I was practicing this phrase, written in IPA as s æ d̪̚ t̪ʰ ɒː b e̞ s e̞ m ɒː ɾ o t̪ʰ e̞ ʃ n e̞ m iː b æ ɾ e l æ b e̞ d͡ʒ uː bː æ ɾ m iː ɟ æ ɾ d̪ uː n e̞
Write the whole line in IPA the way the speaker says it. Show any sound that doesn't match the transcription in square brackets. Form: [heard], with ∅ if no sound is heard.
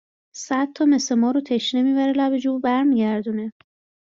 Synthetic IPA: s æ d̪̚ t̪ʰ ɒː [m] e̞ s e̞ m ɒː ɾ o t̪ʰ e̞ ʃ n e̞ m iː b æ ɾ e l æ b e̞ d͡ʒ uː [b] æ ɾ m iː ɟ æ ɾ d̪ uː n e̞